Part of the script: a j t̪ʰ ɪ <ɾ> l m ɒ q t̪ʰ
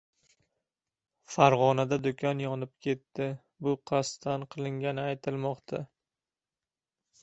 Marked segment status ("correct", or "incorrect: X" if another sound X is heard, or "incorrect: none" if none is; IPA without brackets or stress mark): incorrect: none